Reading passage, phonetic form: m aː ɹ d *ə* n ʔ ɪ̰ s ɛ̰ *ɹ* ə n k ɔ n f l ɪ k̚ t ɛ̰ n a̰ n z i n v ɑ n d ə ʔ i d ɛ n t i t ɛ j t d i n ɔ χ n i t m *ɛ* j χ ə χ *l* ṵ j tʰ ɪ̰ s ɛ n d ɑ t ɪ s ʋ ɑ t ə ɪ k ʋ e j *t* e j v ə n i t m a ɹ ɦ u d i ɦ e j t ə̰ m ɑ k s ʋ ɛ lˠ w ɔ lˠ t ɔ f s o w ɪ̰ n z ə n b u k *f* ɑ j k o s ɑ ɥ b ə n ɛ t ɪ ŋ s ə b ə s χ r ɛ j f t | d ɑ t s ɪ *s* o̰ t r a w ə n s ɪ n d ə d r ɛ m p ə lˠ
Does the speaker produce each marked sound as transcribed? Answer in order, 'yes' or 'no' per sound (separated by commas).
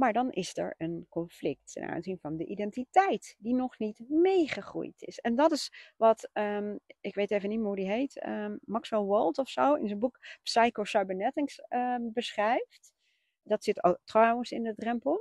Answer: no, yes, no, no, yes, no, no